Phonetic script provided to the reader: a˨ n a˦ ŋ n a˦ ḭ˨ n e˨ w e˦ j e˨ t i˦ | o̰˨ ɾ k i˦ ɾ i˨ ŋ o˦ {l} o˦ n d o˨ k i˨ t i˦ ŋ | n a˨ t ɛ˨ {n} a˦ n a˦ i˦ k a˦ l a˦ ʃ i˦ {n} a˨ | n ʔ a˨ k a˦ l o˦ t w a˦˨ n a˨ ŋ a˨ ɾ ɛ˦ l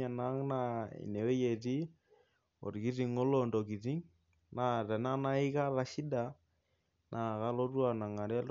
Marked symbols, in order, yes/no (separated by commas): yes, yes, no